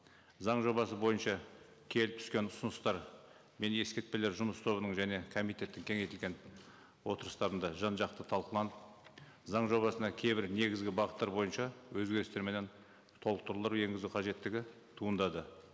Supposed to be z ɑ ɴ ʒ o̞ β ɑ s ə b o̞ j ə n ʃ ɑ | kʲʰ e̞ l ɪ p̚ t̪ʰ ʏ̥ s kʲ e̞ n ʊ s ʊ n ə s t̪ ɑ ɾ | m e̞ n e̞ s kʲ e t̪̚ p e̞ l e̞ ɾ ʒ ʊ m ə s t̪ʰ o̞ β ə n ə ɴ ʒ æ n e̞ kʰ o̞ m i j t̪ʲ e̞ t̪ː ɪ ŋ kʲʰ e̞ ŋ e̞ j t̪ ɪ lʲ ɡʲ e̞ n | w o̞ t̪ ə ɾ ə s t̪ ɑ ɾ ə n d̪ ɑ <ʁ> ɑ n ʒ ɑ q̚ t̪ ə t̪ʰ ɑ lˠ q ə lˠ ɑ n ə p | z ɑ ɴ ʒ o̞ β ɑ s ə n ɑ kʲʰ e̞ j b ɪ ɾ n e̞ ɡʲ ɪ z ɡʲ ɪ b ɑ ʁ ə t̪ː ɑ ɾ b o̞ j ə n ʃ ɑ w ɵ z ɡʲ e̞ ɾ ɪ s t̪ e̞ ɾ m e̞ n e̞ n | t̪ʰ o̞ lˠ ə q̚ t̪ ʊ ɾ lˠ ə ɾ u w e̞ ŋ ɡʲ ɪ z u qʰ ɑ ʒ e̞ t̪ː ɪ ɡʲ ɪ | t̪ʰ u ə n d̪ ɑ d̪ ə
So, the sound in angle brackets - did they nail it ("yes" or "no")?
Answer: no